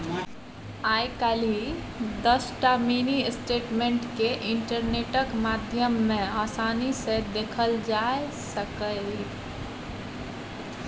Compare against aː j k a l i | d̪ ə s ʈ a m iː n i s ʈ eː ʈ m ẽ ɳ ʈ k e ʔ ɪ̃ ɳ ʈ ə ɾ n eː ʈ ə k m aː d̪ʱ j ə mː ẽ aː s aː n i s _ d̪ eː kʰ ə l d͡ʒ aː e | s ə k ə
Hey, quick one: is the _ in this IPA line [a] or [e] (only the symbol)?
e